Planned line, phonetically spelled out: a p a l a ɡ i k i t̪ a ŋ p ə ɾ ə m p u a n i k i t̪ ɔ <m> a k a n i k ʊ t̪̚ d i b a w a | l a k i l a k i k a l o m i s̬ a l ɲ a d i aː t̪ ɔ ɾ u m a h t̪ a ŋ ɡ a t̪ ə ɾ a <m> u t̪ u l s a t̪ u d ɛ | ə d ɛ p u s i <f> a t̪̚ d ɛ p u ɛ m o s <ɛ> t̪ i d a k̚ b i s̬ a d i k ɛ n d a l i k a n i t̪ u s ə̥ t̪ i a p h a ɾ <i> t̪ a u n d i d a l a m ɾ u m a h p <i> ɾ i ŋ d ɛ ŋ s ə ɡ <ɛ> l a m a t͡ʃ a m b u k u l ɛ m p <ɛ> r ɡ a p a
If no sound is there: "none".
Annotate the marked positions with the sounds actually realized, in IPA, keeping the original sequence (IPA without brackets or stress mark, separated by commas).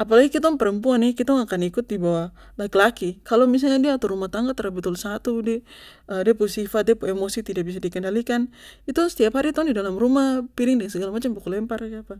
ŋ, b, f, i, i, i, a, a